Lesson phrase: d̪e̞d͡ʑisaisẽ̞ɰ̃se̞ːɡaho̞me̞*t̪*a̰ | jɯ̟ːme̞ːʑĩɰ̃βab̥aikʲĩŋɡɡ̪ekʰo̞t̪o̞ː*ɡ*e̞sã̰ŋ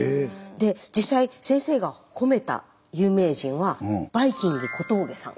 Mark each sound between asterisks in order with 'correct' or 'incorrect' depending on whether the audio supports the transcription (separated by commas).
correct, correct